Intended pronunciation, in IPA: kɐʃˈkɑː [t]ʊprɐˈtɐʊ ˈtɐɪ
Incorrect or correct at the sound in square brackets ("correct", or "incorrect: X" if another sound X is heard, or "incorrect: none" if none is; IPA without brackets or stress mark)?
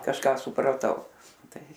incorrect: s